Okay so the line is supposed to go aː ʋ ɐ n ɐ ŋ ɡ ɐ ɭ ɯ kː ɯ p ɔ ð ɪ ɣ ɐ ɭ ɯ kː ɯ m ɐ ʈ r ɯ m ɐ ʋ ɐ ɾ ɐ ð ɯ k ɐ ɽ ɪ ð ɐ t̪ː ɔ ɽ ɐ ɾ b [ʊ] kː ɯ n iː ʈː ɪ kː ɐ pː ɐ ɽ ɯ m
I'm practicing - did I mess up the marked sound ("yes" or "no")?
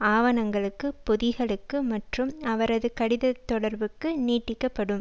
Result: yes